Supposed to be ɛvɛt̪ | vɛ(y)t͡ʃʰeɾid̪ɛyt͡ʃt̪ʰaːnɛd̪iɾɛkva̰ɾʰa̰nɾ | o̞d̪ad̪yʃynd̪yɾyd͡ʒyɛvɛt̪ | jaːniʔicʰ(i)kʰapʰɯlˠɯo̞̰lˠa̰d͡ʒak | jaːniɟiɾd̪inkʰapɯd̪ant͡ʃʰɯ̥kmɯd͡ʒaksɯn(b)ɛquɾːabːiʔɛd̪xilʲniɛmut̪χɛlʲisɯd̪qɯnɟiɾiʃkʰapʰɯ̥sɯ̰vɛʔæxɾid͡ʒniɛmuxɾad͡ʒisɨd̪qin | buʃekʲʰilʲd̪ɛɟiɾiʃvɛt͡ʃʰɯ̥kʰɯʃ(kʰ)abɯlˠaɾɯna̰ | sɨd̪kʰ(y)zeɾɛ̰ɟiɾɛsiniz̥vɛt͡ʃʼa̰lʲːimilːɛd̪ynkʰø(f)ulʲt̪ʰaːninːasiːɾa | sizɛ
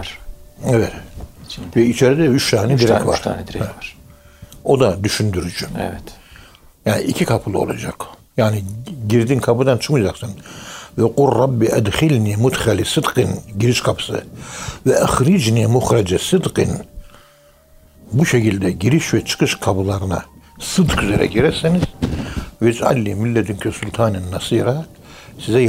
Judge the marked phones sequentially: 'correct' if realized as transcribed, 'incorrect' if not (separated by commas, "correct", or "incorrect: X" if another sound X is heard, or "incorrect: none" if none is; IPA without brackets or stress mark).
incorrect: i, correct, incorrect: v, correct, correct, incorrect: s